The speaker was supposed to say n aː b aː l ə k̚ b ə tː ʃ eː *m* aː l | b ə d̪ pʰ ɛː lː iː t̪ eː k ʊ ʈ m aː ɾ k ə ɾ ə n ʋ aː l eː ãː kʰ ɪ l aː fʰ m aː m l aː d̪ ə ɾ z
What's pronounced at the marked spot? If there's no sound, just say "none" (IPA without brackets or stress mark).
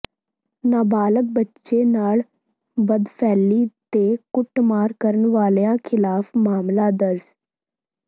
n